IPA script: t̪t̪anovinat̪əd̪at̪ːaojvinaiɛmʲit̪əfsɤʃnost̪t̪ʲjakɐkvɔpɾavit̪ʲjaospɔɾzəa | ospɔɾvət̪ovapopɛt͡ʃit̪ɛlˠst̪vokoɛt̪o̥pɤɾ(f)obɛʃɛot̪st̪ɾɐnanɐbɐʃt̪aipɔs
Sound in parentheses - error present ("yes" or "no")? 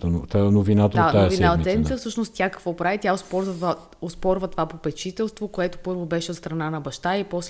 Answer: yes